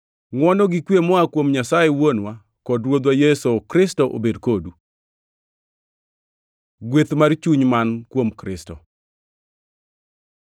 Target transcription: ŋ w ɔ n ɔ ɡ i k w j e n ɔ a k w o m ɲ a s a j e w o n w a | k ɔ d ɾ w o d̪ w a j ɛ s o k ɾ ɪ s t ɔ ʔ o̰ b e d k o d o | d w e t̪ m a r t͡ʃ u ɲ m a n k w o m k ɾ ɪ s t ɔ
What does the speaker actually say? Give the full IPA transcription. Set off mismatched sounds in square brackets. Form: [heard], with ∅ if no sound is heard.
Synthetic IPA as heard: ŋ w ɔ n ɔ ɡ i k w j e [m] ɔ a k w o m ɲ a s a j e w o n w a | k ɔ d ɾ w o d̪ w a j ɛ s o k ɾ ɪ s t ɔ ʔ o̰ b e d k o d [u] | [ɡ] w e t̪ m a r t͡ʃ u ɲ m a n k w o m k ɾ ɪ s t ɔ